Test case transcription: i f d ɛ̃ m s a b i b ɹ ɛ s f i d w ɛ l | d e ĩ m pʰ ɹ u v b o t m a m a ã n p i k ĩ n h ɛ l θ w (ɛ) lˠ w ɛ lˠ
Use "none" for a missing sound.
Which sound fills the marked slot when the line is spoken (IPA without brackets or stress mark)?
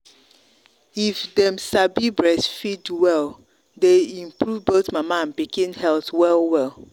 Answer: ɛ